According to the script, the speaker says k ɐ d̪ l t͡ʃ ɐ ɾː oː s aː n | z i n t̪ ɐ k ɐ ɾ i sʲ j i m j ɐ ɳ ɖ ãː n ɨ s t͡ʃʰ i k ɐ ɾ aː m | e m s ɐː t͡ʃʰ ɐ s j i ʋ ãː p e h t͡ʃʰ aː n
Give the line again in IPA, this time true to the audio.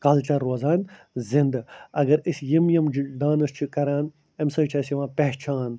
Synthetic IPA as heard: k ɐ l t͡ʃ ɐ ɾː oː z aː n | z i n d̪ ɐ ɡ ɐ ɾ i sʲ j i m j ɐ m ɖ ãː n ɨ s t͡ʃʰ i k ɐ ɾ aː n | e m s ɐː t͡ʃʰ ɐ s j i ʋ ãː p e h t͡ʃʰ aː n